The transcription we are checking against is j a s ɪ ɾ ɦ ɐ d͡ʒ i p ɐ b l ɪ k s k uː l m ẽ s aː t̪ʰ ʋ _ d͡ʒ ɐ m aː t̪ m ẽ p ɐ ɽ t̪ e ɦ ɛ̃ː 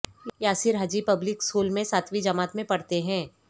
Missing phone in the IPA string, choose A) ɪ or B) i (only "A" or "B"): B